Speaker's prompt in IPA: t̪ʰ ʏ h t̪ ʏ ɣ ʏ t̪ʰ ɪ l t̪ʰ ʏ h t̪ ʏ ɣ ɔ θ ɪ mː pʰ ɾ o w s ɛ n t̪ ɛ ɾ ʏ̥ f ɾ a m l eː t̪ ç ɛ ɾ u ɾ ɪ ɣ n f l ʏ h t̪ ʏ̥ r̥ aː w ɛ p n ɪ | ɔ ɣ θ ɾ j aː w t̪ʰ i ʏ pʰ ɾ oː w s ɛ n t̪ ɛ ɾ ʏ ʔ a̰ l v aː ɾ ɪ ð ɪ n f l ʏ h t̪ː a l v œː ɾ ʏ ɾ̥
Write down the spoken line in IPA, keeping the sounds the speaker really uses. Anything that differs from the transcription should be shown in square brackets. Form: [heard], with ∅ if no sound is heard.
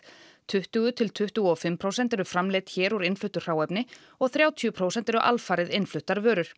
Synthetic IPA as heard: t̪ʰ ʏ h t̪ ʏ ɣ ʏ t̪ʰ ɪ l t̪ʰ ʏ h t̪ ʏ ɣ ɔ [f] ɪ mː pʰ ɾ o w s ɛ n t̪ ɛ ɾ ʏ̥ f ɾ a m l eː t̪ ç [ɛː] ɾ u ɾ ɪ [∅] n f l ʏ h t̪ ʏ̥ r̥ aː w ɛ p n ɪ | ɔ ɣ θ ɾ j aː w t̪ʰ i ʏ pʰ ɾ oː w s ɛ n t̪ ɛ ɾ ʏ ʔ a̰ l [f] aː ɾ ɪ ð ɪ n f l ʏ h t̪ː a [ɾ] v œː ɾ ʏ ɾ̥